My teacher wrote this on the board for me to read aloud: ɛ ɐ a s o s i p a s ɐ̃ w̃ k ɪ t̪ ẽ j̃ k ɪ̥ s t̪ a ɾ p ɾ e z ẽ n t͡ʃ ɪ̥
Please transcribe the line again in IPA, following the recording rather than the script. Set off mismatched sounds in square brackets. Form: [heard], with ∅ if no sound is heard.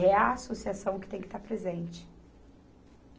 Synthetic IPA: ɛ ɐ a s o s i [∅] a s ɐ̃ w̃ k ɪ t̪ ẽ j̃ k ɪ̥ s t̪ a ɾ p ɾ e z ẽ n t͡ʃ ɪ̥

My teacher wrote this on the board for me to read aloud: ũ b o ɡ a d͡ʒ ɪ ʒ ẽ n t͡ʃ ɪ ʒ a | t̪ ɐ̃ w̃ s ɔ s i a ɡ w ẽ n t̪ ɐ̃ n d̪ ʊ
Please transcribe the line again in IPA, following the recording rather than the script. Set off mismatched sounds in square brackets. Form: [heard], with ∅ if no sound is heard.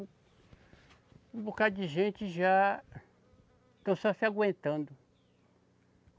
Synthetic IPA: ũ b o [k] a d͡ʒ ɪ ʒ ẽ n t͡ʃ ɪ ʒ a | t̪ ɐ̃ w̃ s ɔ s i a ɡ w ẽ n t̪ ɐ̃ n d̪ ʊ

